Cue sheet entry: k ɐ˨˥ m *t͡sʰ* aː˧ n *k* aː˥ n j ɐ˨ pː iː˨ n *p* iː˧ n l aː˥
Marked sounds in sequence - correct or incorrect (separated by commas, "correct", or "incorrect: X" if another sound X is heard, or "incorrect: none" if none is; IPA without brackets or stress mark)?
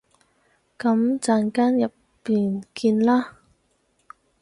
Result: incorrect: t͡s, correct, incorrect: k